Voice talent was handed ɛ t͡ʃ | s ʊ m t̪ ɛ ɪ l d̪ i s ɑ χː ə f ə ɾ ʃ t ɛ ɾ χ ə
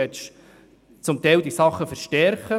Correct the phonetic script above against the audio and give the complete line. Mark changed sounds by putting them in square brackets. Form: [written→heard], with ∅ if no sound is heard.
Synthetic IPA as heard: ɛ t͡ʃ | [s→t͡s] ʊ m t̪ ɛ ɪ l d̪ i s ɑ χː ə f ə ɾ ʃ t ɛ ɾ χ ə